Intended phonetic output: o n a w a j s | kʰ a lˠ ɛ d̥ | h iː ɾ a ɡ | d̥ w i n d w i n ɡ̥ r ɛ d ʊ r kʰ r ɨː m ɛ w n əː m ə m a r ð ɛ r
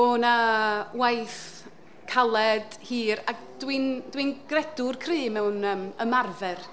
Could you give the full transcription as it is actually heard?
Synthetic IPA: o n a w a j θ | kʰ a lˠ ɛ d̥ | h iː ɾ a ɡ | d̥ w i n d w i n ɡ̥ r ɛ d ʊ r kʰ r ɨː m ɛ w n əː m ə m a r v ɛ r